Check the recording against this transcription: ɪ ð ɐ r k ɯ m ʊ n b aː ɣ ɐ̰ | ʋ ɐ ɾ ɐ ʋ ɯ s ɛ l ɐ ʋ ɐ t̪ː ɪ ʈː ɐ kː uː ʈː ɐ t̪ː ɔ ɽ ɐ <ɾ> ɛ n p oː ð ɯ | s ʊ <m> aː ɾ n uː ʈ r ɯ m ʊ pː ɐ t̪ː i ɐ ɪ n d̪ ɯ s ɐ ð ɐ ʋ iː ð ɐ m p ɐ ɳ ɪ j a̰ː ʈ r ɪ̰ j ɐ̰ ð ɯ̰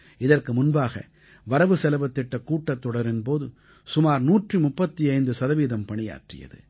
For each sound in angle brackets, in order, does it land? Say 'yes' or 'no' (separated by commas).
yes, yes